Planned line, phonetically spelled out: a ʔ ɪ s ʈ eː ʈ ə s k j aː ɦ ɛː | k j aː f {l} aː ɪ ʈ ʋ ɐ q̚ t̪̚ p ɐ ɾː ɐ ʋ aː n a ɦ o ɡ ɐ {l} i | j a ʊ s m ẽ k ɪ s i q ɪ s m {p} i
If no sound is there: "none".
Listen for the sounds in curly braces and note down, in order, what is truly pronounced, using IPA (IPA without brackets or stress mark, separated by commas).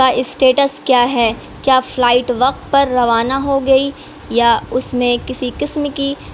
l, none, k